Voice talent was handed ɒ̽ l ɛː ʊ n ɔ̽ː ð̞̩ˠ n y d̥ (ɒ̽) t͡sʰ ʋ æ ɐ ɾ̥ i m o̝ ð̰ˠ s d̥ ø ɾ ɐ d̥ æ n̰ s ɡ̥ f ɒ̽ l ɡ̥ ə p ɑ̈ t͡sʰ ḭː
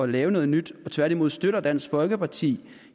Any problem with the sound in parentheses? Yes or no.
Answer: no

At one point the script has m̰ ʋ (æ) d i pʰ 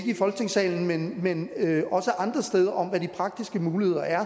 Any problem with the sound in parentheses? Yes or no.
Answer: no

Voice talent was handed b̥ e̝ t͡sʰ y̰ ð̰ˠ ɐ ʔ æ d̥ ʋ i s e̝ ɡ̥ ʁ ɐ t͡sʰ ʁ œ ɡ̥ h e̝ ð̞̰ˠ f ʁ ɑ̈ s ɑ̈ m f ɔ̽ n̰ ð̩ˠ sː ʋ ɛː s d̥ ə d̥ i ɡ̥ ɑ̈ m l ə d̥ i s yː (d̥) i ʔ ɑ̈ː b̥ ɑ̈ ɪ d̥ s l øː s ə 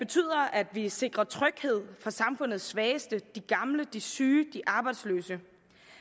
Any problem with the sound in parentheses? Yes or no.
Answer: no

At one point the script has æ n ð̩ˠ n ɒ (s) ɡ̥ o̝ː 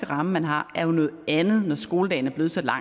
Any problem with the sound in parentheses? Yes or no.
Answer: no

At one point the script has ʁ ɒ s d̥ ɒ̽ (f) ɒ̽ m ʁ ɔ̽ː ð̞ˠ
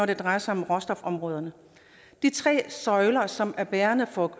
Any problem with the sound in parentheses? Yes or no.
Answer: no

